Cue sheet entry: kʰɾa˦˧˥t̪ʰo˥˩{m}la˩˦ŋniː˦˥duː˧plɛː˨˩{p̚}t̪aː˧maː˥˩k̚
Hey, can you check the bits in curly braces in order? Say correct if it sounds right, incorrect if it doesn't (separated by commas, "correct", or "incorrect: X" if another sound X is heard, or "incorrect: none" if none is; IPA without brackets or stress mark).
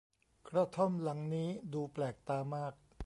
correct, incorrect: k̚